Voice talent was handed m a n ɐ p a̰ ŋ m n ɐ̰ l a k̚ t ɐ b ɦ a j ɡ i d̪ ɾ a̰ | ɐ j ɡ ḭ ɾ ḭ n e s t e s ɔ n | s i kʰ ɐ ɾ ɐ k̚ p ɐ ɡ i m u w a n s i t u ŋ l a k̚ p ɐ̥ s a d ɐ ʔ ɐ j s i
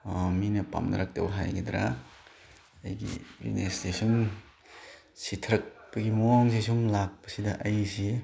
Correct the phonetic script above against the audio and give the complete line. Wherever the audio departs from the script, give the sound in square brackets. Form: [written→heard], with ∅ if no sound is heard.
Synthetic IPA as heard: m [a→i] n ɐ p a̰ [ŋ→∅] m n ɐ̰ [l→ɾ] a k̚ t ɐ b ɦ a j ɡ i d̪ ɾ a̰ | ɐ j ɡ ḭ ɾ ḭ n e s t e s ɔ n | s i [kʰ→tʰ] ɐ ɾ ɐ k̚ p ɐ ɡ i m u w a [n→ŋ] s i [t→s] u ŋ l a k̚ p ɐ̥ s [a→i] d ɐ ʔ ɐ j s i